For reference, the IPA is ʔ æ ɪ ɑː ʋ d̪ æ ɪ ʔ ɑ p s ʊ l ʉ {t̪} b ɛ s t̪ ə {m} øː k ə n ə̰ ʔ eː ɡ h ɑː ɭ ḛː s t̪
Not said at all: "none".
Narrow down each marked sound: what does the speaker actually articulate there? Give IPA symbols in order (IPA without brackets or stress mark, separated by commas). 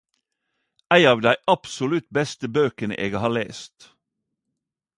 t̪, b